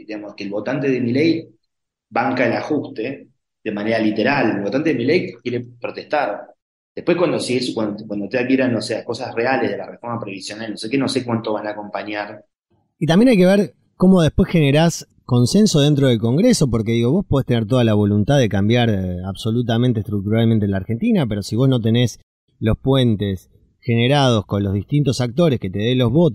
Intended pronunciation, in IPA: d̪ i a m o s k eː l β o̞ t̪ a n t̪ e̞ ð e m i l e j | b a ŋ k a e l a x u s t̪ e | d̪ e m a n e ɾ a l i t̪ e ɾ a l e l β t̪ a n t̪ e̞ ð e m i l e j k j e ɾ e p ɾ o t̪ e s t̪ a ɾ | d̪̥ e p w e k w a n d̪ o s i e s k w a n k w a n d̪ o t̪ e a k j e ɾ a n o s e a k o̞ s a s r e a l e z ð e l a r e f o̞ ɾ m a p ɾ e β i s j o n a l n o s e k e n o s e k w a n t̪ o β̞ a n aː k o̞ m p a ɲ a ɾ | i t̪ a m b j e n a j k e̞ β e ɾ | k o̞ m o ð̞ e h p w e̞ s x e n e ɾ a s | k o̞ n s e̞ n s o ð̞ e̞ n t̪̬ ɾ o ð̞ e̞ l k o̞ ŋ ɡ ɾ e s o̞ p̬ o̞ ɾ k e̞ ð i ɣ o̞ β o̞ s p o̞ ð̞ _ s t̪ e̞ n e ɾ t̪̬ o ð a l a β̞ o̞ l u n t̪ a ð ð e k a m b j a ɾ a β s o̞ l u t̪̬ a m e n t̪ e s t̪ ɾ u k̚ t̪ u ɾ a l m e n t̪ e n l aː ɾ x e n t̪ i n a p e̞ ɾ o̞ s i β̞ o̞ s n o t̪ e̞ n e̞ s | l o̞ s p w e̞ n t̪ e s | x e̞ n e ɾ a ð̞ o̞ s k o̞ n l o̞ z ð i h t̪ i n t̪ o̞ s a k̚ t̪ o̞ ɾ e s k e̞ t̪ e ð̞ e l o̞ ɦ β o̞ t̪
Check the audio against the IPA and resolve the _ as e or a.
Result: e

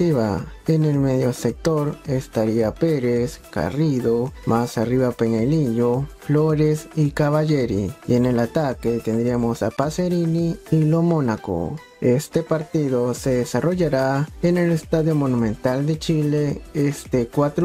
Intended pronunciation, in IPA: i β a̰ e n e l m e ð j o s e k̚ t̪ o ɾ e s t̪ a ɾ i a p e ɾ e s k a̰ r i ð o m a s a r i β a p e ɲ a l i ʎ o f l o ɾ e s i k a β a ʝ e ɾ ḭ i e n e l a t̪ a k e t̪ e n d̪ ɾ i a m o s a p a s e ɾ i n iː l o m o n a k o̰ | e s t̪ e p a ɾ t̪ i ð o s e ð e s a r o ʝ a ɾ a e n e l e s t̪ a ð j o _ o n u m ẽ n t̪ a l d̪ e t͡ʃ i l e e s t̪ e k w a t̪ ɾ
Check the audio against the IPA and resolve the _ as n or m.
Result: m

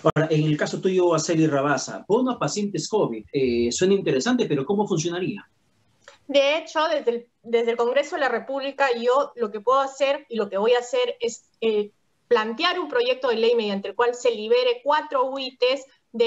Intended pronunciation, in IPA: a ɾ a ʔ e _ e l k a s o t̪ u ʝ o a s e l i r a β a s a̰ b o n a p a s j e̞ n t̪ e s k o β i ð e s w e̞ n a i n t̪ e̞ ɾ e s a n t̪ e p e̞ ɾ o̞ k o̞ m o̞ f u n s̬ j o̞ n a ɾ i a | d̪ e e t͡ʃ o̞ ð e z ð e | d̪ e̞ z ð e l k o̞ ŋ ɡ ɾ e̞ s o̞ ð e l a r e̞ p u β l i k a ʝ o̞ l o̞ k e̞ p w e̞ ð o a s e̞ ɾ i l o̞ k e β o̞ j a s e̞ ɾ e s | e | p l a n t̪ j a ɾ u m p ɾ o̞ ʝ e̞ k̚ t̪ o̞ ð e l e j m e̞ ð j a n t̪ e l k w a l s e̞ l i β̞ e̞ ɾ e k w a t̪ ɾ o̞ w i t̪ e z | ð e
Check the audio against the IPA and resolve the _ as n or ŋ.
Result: ŋ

